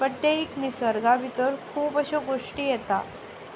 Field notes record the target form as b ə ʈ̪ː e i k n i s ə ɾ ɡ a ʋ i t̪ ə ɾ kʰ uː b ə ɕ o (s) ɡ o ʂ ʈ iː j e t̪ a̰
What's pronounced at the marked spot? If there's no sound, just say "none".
none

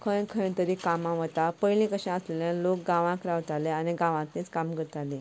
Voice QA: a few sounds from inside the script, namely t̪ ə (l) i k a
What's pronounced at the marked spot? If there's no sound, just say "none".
ɾ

